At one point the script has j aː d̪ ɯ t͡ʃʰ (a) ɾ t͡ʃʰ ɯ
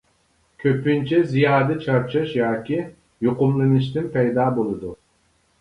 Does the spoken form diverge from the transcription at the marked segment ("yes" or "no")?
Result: no